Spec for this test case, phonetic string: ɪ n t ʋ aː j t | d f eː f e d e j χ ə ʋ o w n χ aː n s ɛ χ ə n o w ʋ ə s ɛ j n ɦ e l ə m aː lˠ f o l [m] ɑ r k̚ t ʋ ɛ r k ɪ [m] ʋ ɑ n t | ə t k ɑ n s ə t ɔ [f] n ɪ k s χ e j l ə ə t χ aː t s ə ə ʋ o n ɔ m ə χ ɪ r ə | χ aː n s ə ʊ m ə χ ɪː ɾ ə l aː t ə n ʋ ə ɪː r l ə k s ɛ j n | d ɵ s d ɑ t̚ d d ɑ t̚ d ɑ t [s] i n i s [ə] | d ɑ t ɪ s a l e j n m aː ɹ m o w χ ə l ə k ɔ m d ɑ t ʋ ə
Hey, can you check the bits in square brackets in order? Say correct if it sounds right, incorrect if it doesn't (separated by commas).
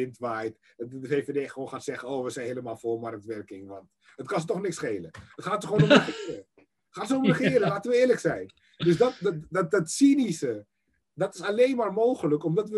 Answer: correct, incorrect, incorrect, correct, correct